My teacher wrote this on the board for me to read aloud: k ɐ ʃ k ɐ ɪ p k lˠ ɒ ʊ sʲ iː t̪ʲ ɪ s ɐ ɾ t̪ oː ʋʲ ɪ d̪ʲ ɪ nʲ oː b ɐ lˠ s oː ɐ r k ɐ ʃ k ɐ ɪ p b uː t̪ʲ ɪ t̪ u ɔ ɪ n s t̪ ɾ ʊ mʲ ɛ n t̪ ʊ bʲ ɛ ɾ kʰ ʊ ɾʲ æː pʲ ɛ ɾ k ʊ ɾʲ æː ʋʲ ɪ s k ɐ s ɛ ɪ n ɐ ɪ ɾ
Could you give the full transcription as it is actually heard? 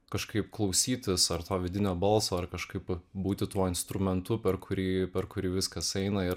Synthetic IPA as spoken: k ɐ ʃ k ɐ ɪ p k lˠ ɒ ʊ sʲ iː t̪ʲ ɪ s ɐ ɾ t̪ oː ʋʲ ɪ d̪ʲ ɪ nʲ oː b ɐ lˠ s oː ɐ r k ɐ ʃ k ɐ ɪ p b uː t̪ʲ ɪ t̪ u ɔ ɪ n s t̪ ɾ ʊ mʲ ɛ n t̪ ʊ pʲ ɛ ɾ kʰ ʊ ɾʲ iː pʲ ɛ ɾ k ʊ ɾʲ iː ʋʲ ɪ s k ɐ s ɛ ɪ n ɐ ɪ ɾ